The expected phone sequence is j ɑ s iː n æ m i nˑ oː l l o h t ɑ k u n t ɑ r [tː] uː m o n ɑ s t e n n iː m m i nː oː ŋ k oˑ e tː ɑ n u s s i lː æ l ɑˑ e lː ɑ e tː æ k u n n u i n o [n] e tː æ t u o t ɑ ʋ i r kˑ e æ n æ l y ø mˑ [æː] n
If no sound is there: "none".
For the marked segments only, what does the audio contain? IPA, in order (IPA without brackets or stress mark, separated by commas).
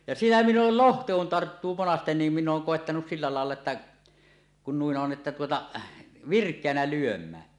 tː, n, æː